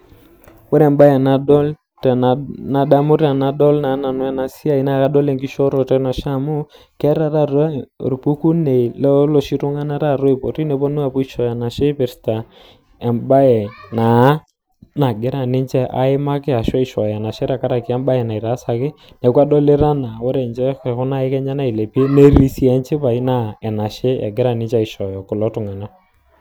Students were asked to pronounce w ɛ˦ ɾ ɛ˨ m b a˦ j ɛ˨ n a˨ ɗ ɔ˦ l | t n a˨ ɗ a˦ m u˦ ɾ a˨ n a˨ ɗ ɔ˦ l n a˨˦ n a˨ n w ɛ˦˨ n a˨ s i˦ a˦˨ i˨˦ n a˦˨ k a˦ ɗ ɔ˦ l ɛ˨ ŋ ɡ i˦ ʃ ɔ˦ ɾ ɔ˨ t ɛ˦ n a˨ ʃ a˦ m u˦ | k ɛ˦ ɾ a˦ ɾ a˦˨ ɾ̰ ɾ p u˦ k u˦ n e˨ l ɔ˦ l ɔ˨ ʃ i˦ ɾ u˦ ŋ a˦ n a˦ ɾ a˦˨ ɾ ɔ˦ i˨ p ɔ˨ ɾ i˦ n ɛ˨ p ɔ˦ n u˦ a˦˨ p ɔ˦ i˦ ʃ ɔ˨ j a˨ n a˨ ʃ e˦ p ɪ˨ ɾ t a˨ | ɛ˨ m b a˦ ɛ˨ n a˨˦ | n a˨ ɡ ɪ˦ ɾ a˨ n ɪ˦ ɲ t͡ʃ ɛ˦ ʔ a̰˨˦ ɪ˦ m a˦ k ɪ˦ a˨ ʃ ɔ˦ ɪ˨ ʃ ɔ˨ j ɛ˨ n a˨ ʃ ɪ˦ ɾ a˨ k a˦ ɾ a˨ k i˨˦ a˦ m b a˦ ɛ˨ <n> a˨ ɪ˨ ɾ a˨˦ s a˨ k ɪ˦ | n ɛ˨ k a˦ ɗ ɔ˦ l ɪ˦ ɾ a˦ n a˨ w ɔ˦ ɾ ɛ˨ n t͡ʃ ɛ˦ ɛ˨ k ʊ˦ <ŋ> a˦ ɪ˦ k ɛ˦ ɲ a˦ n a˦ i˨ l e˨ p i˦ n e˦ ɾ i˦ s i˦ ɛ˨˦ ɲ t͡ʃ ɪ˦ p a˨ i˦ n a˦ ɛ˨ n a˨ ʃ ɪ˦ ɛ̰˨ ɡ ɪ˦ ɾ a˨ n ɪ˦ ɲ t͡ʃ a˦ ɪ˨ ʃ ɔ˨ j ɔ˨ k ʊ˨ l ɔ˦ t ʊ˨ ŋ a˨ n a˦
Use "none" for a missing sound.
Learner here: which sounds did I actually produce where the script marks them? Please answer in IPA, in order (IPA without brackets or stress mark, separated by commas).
n, n